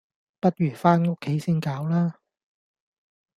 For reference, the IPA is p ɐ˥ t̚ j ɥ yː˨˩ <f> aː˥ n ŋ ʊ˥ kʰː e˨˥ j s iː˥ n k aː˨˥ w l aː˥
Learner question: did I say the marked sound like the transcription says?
yes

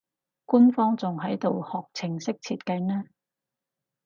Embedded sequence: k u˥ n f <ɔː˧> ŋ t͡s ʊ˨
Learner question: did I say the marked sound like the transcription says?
no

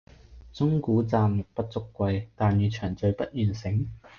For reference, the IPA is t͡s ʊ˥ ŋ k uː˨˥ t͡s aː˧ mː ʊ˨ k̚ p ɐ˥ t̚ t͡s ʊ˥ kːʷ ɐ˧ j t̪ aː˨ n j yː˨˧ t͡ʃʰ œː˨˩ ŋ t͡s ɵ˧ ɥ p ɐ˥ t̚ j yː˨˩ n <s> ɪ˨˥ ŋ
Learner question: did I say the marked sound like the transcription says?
yes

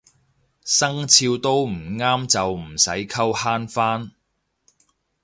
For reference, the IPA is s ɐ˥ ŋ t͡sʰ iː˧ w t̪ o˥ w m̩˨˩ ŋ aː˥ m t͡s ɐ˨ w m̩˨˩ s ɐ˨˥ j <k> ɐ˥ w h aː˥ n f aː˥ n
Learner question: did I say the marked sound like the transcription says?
no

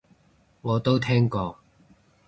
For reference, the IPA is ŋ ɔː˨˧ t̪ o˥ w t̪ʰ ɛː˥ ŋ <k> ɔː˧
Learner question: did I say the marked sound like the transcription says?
yes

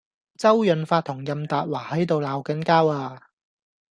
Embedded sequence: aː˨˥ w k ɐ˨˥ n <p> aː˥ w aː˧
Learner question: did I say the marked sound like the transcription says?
no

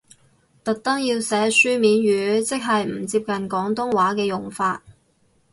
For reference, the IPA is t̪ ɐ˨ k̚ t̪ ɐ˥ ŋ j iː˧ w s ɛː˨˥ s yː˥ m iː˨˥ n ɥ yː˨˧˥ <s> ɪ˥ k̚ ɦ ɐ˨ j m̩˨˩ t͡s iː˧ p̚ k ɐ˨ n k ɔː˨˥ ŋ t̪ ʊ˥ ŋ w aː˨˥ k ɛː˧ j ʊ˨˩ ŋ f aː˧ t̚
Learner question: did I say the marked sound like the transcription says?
no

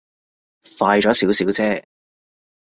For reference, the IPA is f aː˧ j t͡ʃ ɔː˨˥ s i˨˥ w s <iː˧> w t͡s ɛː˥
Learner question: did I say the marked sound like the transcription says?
no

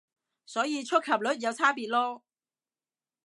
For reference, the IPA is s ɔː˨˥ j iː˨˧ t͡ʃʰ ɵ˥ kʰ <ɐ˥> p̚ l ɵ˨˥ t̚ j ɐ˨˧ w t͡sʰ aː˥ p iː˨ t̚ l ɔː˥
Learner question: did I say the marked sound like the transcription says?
no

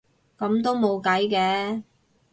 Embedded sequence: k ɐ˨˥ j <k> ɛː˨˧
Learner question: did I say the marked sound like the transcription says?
yes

